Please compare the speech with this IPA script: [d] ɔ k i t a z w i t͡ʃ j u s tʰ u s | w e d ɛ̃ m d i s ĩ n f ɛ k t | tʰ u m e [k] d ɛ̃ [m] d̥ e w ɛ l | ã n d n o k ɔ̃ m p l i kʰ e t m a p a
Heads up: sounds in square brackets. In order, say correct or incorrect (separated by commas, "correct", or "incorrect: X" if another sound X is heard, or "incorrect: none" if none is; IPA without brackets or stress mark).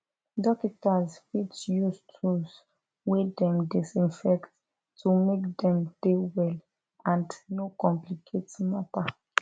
correct, correct, correct